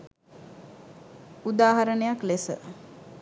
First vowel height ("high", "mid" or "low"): high